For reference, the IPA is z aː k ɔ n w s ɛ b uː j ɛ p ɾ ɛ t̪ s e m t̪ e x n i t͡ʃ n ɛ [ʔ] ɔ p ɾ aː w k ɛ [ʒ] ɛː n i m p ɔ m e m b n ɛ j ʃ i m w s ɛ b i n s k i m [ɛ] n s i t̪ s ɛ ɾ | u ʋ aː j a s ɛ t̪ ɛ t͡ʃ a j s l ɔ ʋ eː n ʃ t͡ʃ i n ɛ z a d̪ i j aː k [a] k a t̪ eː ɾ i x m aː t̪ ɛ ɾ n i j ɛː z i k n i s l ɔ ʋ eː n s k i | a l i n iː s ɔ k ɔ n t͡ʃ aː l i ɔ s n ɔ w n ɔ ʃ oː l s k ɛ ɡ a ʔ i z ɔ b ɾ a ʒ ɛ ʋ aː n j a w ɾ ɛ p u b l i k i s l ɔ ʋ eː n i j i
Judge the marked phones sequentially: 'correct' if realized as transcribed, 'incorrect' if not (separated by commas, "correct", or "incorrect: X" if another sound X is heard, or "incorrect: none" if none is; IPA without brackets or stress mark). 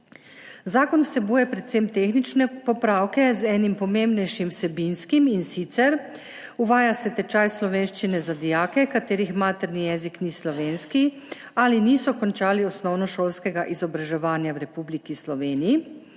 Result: incorrect: p, incorrect: z, incorrect: i, incorrect: ɛ